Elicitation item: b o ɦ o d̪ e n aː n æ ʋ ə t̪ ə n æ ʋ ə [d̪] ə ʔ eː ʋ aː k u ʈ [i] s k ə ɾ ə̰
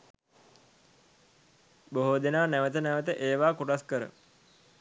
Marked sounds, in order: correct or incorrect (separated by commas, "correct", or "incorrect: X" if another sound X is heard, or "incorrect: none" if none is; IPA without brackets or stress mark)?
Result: incorrect: t̪, incorrect: a